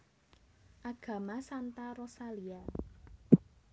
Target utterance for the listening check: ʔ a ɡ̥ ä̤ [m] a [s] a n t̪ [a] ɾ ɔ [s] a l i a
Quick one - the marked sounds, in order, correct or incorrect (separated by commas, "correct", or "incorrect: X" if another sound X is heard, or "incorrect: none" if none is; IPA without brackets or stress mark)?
correct, correct, correct, correct